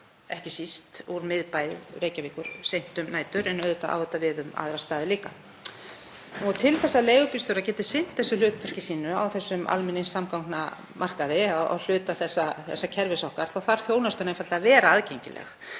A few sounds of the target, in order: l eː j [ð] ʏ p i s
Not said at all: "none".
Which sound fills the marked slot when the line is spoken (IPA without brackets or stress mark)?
ɣ